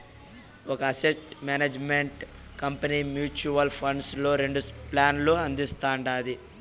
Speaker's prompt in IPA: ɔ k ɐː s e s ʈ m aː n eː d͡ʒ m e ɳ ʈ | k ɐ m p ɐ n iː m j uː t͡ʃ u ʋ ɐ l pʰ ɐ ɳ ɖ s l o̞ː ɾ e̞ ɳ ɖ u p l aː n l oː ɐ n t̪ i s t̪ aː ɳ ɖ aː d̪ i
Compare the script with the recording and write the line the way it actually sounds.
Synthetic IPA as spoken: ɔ k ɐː s e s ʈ m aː n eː d͡ʒ m e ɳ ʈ | k ɐ m p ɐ n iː m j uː t͡ʃ u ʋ ɐ l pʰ ɐ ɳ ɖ s l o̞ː ɾ e̞ ɳ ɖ u p l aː n l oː ɐ n d̪ i s t̪ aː ɳ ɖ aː d̪ i